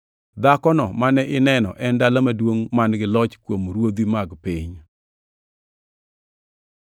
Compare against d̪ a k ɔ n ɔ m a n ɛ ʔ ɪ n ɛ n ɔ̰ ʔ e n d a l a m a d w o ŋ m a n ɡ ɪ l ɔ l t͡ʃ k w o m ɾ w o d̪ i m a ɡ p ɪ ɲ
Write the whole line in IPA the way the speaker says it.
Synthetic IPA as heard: d̪ a k ɔ n ɔ m a n ɛ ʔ ɪ n ɛ n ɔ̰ ʔ ɛ n d a l a m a d w o ŋ m a n ɡ ɪ l ɔ t͡ʃ k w o m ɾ w o d̪ i m a ɡ p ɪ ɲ